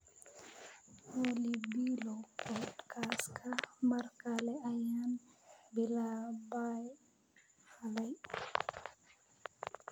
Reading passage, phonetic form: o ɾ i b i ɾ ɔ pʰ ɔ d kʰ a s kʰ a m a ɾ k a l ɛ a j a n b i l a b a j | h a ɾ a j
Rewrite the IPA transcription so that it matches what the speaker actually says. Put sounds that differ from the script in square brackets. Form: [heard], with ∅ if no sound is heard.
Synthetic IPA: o [l] i b i [l] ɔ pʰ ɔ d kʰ a s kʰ a m a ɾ k a l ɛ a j a n b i l a b a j | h a [l] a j